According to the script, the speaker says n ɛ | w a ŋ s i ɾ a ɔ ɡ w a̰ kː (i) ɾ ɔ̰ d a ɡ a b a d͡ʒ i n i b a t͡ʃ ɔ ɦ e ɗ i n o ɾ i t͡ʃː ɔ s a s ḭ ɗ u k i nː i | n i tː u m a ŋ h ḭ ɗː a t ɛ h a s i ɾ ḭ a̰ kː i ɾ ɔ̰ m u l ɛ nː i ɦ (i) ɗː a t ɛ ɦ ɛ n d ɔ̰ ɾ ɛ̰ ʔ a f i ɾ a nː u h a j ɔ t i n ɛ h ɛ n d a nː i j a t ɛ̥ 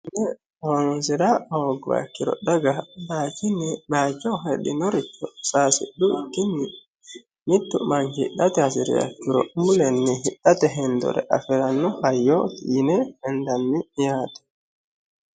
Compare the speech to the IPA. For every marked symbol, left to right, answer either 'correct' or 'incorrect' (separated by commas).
correct, correct